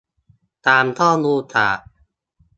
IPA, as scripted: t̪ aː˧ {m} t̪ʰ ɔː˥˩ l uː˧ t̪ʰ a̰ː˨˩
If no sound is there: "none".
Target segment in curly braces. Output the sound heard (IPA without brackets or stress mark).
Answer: m